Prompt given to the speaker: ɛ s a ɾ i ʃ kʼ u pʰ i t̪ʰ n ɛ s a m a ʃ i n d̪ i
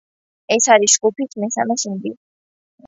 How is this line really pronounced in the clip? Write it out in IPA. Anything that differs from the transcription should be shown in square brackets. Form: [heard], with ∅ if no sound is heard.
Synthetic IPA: ɛ s a ɾ i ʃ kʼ u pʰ i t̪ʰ [m] ɛ s a m [ɛ] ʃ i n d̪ i